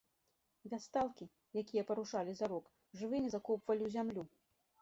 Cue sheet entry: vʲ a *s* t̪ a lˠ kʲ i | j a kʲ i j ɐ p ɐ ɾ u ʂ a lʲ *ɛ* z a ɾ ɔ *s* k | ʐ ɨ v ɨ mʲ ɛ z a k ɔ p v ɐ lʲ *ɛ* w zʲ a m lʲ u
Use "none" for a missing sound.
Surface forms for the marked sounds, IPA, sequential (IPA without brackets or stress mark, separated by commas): s, i, none, i